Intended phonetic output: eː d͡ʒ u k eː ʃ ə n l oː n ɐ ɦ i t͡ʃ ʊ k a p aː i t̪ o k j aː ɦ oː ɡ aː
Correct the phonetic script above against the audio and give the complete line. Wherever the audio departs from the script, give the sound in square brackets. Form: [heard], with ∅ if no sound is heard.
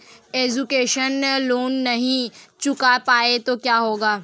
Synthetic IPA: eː d͡ʒ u k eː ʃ ə n l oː [nː] ɐ ɦ [ĩ] t͡ʃ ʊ k a p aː [e] t̪ o k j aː ɦ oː ɡ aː